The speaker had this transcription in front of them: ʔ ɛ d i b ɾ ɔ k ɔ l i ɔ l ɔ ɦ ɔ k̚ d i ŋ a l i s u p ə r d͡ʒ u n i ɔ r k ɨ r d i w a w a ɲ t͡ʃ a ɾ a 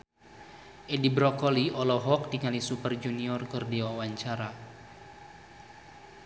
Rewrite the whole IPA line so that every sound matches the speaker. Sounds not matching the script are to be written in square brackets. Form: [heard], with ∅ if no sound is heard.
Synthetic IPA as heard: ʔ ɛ d i b ɾ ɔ k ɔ l i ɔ l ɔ ɦ ɔ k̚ d i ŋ a l i s u p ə r d͡ʒ u n i ɔ r k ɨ r d i w a w a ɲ t͡ʃ a ɾ a